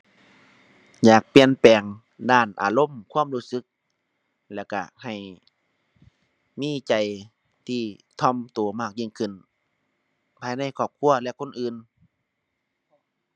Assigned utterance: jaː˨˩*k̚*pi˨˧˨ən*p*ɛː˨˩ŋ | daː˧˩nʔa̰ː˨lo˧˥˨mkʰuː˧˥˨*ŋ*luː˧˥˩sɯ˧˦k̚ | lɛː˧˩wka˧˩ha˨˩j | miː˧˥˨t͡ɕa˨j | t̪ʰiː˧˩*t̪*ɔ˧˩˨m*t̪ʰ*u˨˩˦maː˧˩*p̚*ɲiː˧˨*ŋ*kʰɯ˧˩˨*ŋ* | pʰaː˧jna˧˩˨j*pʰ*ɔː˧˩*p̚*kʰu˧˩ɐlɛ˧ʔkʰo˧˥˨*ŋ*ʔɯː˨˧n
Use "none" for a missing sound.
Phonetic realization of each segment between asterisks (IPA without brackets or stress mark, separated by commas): k̚, p, m, t̪ʰ, t̪, k̚, ŋ, n, kʰ, p̚, n